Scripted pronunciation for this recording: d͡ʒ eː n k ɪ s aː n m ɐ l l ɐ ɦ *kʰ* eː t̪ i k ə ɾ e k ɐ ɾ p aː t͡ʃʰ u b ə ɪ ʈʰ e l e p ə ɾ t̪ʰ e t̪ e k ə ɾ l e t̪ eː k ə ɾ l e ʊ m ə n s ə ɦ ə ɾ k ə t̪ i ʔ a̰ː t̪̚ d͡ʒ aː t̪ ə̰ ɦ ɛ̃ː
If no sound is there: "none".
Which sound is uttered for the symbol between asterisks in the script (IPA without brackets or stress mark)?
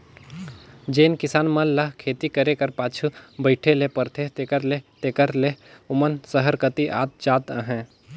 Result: kʰ